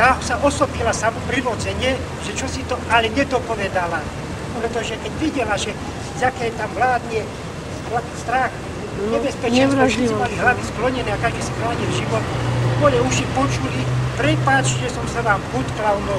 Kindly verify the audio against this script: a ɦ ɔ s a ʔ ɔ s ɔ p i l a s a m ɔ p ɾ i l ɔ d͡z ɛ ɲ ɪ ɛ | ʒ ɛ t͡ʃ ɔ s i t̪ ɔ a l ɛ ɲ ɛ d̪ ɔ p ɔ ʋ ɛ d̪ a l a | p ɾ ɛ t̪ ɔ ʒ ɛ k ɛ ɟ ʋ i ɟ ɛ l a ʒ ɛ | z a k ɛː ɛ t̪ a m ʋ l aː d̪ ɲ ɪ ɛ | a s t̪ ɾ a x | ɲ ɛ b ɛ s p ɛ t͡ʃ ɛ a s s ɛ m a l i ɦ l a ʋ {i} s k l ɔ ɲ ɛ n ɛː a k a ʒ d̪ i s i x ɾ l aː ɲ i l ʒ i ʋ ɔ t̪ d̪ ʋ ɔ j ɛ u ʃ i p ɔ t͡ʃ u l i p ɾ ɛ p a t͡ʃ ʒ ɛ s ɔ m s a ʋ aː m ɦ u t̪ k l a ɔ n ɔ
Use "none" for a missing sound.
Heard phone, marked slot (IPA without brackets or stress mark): i